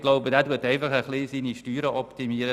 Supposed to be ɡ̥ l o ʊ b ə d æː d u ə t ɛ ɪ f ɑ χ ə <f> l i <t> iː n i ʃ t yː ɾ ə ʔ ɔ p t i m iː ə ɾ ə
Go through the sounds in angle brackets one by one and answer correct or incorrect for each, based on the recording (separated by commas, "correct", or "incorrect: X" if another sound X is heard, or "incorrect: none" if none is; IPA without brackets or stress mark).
incorrect: χ, incorrect: s